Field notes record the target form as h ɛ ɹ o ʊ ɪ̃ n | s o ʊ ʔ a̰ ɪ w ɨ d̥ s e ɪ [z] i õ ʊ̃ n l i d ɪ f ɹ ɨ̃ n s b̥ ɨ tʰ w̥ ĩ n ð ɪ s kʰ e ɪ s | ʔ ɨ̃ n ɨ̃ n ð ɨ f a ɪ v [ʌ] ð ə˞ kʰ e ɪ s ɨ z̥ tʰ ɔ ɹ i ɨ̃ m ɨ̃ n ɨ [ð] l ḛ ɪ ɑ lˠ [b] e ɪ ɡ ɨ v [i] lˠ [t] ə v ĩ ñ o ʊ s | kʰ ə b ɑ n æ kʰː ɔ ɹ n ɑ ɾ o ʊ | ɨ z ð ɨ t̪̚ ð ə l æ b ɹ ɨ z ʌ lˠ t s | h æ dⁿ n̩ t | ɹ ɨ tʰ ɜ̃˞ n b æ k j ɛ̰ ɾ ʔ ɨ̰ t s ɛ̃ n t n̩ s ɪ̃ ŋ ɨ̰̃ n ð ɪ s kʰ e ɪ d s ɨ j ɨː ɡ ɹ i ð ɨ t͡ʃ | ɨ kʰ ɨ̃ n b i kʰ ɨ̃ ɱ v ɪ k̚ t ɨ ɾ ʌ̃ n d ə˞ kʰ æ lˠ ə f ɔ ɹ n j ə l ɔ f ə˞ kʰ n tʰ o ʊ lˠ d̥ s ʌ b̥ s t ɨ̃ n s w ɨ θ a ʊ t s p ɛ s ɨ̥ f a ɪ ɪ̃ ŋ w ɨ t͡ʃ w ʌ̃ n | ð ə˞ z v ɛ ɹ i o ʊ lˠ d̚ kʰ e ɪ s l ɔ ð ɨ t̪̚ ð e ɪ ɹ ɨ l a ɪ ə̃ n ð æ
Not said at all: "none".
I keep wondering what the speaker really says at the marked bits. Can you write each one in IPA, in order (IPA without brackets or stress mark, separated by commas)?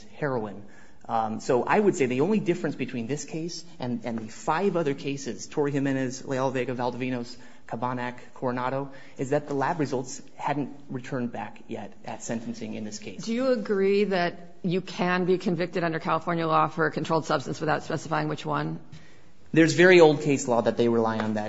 ð, ʌ, z, v, æ, d